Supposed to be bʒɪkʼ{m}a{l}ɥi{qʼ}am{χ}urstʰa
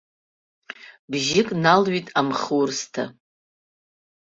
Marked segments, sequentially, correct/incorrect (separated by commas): incorrect, correct, incorrect, correct